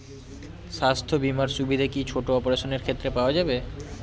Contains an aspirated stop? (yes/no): yes